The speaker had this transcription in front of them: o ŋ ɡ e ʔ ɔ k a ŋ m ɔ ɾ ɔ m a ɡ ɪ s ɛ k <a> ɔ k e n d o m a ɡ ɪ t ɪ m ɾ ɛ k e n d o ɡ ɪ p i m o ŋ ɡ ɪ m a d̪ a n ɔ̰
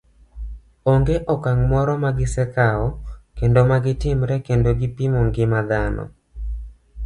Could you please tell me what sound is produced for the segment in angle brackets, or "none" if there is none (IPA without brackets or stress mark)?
a